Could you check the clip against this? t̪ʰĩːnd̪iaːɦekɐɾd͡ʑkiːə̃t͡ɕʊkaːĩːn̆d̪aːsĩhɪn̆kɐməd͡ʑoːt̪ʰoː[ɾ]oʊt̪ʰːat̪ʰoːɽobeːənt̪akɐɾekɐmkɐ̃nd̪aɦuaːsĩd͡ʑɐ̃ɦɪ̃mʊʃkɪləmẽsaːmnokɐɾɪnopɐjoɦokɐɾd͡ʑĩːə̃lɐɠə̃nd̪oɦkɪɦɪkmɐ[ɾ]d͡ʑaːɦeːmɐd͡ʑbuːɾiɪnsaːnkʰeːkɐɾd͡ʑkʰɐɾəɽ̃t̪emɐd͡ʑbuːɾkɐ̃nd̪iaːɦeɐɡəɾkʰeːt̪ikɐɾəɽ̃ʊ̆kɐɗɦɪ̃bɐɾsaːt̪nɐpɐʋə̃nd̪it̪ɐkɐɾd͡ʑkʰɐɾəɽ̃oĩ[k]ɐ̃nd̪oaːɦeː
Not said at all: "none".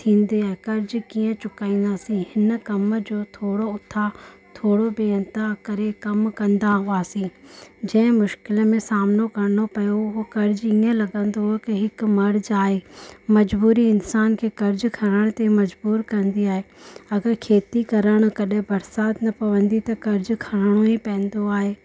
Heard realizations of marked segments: ɽ, ɾ, p

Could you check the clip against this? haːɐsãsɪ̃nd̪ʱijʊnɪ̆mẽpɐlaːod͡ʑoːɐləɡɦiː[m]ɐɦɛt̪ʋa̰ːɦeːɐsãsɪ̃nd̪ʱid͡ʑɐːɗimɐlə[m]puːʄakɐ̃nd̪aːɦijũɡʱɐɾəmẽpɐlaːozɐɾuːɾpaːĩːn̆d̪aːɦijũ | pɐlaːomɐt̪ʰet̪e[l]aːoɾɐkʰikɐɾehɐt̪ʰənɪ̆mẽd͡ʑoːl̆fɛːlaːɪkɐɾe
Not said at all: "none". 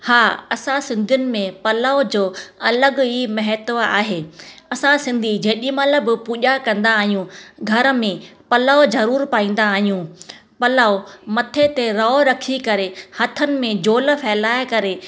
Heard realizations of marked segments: m, b, ɾ

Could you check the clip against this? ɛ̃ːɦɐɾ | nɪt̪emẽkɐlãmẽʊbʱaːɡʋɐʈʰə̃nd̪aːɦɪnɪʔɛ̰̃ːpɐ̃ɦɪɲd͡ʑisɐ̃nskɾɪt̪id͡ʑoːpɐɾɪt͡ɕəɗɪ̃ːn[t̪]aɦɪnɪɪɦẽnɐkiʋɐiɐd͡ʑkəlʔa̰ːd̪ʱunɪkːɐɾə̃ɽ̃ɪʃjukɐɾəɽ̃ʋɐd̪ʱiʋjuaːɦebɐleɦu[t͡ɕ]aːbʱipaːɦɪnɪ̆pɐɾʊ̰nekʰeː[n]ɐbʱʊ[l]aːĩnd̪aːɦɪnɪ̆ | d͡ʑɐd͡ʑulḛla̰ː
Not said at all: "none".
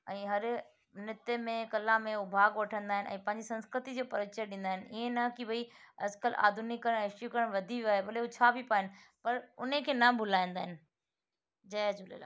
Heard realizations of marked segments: d̪, t͡ɕʰ, n, l

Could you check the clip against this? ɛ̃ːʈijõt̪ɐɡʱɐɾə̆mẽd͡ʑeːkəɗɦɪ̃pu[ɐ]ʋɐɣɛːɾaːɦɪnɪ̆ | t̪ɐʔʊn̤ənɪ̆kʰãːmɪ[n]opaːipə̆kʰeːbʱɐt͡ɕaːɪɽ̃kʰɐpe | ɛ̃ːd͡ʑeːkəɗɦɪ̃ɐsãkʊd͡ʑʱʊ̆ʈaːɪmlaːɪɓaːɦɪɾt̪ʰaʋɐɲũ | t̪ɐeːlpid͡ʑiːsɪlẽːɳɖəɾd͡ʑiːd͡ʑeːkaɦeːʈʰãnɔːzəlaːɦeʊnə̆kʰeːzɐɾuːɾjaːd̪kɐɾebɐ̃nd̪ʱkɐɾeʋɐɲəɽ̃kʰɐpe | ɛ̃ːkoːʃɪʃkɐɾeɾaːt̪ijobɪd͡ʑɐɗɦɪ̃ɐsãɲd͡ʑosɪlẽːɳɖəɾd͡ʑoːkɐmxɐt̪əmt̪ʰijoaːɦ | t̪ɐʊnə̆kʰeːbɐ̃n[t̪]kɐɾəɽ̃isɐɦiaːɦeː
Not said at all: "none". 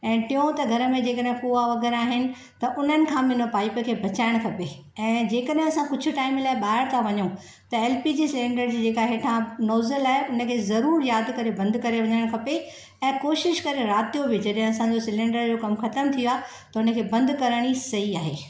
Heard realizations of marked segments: a, n, d̪

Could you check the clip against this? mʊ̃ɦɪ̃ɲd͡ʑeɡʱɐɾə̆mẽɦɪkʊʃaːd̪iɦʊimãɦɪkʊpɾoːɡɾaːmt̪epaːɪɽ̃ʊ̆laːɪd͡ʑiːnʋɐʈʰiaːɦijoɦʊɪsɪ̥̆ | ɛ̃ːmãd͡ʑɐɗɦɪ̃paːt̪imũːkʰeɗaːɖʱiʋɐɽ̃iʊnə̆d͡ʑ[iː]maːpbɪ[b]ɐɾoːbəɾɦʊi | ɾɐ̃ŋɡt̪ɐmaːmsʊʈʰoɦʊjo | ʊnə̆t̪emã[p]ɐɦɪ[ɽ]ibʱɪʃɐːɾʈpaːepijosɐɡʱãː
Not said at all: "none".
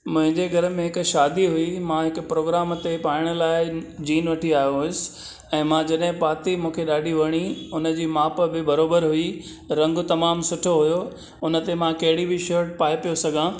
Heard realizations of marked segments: iː, b, k, ɽ

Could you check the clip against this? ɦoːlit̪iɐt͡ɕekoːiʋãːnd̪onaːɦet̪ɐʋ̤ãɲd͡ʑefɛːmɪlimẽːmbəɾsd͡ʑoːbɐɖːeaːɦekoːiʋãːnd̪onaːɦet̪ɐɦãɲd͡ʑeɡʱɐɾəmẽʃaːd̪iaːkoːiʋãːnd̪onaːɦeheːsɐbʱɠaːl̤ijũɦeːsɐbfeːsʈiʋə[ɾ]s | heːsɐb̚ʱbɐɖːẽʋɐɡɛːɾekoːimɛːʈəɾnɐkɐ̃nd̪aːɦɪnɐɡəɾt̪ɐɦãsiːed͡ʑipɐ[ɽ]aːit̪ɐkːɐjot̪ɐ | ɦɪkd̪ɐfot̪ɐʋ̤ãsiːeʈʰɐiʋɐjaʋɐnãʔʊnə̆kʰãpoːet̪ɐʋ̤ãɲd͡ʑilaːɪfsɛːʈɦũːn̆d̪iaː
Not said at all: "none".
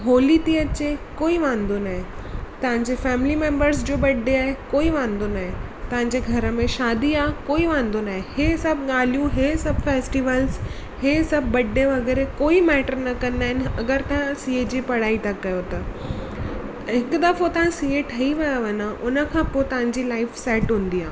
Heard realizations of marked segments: l, ɽ

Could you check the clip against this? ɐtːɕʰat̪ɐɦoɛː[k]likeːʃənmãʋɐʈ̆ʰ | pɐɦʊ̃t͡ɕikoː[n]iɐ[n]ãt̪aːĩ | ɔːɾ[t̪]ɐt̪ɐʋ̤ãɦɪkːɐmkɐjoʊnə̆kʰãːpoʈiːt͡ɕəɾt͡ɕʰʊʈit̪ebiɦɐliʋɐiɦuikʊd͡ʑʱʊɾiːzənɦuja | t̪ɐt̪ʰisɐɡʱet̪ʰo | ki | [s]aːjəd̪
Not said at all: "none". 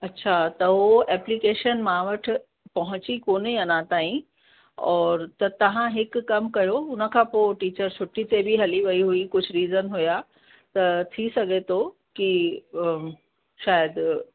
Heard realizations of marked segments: p, n, n, t̪, ʃ

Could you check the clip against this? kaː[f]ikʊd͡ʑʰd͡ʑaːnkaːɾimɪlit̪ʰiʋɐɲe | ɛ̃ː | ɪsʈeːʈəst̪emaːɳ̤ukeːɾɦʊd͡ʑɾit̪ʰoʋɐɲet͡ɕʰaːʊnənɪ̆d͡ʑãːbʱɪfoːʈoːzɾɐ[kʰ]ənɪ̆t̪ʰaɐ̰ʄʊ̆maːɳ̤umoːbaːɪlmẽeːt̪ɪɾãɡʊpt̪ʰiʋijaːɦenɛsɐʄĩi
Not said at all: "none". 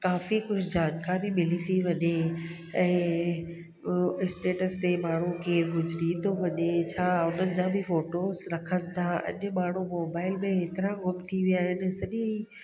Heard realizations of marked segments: f, kʰ

